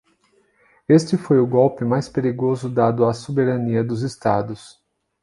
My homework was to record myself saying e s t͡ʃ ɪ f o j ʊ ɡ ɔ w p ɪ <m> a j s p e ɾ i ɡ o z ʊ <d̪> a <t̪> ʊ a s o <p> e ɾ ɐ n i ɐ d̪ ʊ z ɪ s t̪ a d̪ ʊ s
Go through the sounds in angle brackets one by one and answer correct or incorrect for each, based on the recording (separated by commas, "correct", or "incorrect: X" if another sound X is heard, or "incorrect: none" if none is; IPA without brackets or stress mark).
correct, correct, incorrect: d̪, incorrect: b